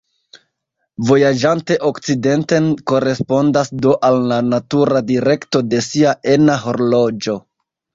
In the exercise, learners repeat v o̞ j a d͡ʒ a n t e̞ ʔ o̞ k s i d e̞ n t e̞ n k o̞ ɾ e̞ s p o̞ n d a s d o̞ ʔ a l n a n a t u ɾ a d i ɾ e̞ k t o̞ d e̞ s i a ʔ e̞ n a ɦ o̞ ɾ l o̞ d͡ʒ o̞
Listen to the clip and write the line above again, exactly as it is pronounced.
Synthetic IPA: v o̞ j a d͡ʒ a n t e̞ ʔ o̞ k t͡s i d e̞ n t e̞ n k o̞ ɾ e̞ s p o̞ n d a s d o̞ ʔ a l n a n a t u ɾ a d i ɾ e̞ k t o̞ d e̞ s i a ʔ e̞ n a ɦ o̞ ɾ l o̞ d͡ʒ o̞